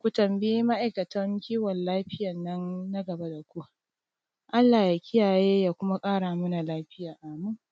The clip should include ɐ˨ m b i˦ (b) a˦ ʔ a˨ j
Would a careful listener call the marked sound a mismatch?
yes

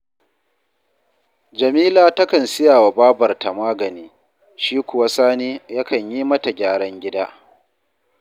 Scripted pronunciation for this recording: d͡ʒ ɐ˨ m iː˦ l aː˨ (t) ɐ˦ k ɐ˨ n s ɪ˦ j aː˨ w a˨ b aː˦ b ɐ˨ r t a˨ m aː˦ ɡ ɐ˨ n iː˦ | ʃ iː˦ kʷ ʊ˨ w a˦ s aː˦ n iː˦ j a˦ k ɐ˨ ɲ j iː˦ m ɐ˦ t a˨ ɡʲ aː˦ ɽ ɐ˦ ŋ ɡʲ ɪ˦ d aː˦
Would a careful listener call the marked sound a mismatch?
no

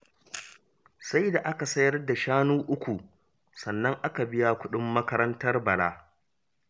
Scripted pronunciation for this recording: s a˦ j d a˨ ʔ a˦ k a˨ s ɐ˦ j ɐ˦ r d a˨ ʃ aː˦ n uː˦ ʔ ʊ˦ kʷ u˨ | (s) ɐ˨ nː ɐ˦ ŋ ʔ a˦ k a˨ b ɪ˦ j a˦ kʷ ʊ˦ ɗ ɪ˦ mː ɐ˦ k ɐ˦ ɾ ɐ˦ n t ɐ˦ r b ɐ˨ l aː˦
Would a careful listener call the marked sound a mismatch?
no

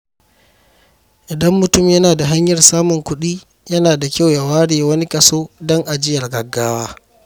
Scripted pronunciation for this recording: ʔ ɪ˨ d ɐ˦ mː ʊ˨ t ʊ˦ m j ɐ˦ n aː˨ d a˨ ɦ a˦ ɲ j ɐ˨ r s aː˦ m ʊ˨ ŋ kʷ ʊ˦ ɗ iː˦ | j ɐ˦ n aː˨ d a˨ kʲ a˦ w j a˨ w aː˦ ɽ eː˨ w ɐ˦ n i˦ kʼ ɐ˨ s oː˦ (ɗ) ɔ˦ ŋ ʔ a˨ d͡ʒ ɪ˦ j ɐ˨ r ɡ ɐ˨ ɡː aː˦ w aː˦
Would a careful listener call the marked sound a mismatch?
yes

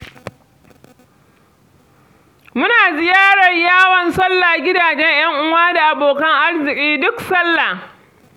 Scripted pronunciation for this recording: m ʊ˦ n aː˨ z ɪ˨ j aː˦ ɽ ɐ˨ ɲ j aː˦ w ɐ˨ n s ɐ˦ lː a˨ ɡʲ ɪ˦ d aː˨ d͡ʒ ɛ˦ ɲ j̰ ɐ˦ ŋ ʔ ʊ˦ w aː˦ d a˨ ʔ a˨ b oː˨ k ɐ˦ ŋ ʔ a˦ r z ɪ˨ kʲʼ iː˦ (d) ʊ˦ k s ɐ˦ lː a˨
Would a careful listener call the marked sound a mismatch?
no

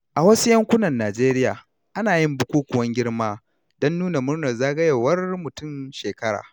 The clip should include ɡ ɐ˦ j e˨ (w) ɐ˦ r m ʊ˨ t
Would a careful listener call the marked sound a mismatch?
no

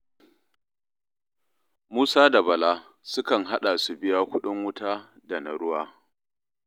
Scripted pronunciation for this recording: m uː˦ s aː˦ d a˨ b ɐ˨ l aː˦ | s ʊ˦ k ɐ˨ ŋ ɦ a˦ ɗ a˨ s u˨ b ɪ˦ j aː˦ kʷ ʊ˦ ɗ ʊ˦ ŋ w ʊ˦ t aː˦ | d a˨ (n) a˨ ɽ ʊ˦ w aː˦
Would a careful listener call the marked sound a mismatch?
no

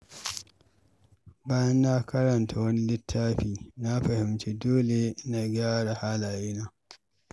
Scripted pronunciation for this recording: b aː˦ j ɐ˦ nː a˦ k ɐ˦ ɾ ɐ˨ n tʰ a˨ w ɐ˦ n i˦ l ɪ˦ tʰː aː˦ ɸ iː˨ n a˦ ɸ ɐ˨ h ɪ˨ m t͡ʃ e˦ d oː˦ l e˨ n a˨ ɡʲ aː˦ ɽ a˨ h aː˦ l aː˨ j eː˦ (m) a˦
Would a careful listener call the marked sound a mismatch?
yes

